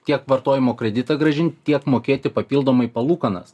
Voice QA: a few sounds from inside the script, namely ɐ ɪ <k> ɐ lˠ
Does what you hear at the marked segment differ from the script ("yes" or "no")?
yes